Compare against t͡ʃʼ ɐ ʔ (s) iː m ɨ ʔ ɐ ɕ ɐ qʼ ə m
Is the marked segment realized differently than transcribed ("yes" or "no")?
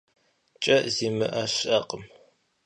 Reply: yes